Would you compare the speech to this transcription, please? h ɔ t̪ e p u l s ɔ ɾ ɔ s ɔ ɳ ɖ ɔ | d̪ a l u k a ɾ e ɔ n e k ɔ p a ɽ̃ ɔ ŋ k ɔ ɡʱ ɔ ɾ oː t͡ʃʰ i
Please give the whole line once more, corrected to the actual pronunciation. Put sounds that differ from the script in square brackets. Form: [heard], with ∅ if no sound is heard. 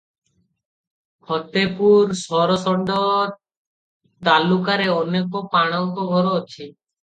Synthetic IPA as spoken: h ɔ t̪ e p u [ɾ] s ɔ ɾ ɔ s ɔ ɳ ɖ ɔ | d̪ a l u k a ɾ e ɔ n e k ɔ p a ɽ̃ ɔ ŋ k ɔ ɡʱ ɔ ɾ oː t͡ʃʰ i